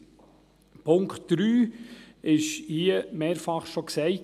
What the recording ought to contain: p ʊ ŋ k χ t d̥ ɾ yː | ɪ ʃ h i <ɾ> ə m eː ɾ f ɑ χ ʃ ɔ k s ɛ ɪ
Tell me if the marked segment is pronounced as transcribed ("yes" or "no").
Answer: no